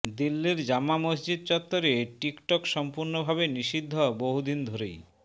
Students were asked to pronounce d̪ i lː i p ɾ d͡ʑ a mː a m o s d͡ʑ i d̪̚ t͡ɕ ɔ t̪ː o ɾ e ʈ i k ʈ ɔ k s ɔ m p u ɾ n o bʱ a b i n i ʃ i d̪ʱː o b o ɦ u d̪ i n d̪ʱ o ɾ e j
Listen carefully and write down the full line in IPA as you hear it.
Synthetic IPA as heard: d̪ i lː i ɾ d͡ʑ a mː a m o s d͡ʑ i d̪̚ t͡ɕ ɔ t̪ː o ɾ e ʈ i k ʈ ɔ k ʃ ɔ m p u ɾ n o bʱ a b e n i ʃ i d̪ʱː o b o ɦ u d̪ i n d̪ʱ o ɾ e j